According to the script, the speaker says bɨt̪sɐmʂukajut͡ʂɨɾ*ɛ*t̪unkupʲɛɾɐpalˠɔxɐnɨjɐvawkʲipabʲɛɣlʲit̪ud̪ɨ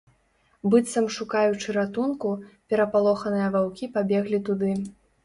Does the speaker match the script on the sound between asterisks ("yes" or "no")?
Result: no